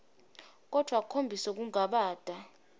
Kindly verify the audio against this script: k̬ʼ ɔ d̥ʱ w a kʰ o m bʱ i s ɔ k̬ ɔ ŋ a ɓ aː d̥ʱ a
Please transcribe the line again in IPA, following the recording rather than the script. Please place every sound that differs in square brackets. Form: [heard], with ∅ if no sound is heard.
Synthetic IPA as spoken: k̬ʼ ɔ d̥ʱ w a kʰ o m bʱ i s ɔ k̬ [u] ŋ a ɓ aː d̥ʱ a